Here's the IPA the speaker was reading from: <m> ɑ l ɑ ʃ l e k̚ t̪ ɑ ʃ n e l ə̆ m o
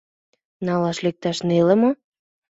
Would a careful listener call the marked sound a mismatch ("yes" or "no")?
yes